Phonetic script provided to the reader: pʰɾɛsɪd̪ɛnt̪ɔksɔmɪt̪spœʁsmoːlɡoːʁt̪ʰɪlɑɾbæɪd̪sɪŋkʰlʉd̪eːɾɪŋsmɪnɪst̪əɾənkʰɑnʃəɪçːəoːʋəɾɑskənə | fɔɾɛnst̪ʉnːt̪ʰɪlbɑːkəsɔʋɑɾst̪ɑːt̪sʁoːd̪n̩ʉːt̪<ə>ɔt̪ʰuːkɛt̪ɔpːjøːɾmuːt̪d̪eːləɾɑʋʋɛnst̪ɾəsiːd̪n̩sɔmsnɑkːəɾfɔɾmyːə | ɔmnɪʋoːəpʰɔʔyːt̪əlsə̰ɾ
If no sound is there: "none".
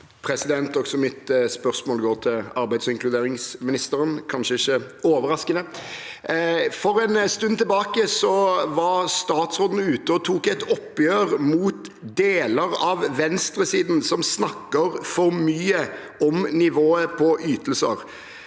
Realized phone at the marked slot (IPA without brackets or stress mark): ə